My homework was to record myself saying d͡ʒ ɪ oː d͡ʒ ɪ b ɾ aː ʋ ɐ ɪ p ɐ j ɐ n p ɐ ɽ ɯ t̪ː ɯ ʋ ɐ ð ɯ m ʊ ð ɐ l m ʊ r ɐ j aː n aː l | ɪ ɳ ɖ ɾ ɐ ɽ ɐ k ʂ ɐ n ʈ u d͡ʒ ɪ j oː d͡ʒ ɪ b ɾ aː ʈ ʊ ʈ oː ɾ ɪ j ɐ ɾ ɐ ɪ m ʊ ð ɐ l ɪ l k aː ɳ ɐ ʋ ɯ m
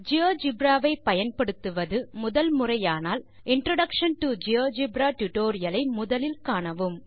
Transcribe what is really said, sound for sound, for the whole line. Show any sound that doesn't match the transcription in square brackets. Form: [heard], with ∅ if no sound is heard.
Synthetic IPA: d͡ʒ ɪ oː d͡ʒ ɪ b ɾ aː ʋ ɐ ɪ p ɐ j ɐ n p ɐ ɽ ɯ t̪ː ɯ ʋ ɐ ð ɯ m ʊ ð ɐ l m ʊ r ɐ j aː n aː l | ɪ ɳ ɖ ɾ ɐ ɽ ɐ k ʂ ɐ n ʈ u d͡ʒ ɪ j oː d͡ʒ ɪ b ɾ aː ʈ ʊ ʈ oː ɾ ɪ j ɐ [l] ɐ ɪ m ʊ ð ɐ l ɪ l k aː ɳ ɐ ʋ ɯ m